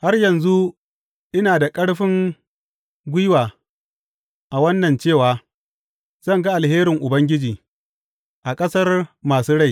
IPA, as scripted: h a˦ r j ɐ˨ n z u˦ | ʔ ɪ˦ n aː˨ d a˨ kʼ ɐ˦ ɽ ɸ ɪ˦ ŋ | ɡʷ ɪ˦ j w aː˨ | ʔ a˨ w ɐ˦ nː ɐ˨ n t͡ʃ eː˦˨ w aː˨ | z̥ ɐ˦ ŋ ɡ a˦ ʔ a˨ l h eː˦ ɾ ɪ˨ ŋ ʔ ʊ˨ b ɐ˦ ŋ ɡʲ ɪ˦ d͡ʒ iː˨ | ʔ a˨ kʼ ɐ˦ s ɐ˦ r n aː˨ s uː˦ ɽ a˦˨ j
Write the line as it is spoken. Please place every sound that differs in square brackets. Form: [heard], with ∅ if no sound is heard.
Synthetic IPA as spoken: h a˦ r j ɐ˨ n z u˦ | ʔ ɪ˦ n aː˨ d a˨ kʼ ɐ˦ ɽ ɸ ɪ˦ ŋ | ɡʷ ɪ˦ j w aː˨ | ʔ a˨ w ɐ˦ nː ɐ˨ n t͡ʃ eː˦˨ w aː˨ | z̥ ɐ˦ ŋ ɡ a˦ ʔ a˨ l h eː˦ ɾ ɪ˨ ŋ ʔ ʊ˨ b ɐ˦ ŋ ɡʲ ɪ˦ d͡ʒ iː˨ | ʔ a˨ kʼ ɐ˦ s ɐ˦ r [m] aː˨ s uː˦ ɽ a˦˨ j

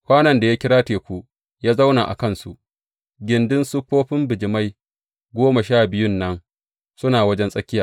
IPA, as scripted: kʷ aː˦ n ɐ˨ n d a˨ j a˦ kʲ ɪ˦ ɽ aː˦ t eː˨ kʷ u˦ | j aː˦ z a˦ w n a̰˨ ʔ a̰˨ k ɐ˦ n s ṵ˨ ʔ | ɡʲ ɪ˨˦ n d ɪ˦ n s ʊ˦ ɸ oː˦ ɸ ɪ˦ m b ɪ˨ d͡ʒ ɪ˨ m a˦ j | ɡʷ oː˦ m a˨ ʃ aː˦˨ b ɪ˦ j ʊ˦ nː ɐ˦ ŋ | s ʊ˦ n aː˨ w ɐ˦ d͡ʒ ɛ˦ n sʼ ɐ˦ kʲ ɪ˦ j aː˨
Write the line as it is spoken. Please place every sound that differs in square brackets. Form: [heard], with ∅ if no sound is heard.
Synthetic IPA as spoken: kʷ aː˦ n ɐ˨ n d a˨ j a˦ kʲ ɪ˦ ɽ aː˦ t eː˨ kʷ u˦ | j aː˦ z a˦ w n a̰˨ ʔ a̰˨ k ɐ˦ n s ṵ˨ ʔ | ɡʲ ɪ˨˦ n d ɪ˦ n s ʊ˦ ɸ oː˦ ɸ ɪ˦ m b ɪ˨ d͡ʒ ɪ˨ m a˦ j | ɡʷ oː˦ m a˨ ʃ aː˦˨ b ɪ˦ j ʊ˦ nː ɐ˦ ŋ | s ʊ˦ n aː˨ w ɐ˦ d͡ʒ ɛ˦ n sʼ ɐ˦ kʲ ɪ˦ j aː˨

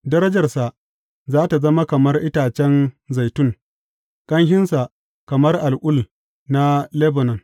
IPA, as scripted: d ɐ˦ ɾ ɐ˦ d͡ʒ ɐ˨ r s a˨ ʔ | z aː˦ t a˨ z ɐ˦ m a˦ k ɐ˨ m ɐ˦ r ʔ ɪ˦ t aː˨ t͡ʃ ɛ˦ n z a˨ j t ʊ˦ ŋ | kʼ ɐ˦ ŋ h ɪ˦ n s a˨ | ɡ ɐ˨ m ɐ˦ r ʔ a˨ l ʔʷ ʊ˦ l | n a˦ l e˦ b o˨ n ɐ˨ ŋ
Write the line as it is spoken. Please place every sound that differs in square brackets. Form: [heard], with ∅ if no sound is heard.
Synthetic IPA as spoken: d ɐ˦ ɾ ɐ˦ d͡ʒ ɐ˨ r s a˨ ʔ | z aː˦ t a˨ z ɐ˦ m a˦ k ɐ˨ m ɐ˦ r ʔ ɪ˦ t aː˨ t͡ʃ ɛ˦ n z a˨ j t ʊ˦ ŋ | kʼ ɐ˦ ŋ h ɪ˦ n s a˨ | [k] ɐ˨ m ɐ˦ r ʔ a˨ l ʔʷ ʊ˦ l | n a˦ l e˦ b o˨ n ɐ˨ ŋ

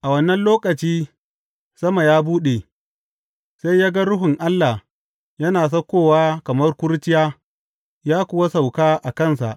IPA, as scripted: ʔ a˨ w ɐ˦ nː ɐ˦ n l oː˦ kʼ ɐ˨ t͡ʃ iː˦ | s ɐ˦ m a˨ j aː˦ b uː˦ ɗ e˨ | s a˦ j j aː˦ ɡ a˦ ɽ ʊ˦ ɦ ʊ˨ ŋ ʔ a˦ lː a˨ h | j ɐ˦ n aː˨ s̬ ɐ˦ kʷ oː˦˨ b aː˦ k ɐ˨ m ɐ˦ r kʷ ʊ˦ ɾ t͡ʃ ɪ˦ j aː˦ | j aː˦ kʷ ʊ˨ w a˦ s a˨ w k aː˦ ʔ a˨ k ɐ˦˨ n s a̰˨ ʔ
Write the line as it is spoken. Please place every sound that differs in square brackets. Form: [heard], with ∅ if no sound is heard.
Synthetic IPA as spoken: ʔ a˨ w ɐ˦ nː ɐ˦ n l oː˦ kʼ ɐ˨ t͡ʃ iː˦ | s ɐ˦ m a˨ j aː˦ b uː˦ ɗ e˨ | s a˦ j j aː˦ ɡ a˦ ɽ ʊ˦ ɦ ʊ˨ ŋ ʔ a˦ lː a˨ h | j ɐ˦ n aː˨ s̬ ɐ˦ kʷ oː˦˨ [w] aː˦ k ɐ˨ m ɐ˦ r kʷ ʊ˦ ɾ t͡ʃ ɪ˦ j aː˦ | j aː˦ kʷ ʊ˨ w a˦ s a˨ w k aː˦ ʔ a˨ k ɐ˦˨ n s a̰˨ ʔ

